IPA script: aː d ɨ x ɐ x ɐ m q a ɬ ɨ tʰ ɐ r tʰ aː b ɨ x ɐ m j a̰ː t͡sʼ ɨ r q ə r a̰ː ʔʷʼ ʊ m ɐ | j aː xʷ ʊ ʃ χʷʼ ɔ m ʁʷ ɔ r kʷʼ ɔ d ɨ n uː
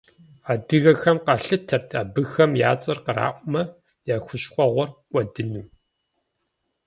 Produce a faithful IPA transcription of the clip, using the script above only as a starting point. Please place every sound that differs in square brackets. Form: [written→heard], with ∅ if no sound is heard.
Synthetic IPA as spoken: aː d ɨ [x→ɣ] ɐ x ɐ m q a ɬ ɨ tʰ ɐ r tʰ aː b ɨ x ɐ m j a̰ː t͡sʼ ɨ r q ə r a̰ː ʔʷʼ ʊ m ɐ | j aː xʷ ʊ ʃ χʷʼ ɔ [m→∅] ʁʷ ɔ r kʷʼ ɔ d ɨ n uː